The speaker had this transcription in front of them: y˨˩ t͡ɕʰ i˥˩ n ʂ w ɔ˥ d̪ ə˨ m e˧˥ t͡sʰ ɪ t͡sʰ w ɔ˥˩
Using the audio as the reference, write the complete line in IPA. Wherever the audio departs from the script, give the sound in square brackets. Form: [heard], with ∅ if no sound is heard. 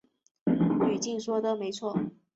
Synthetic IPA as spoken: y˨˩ [t͡ɕ] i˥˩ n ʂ w ɔ˥ d̪ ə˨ m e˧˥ [∅] ɪ t͡sʰ w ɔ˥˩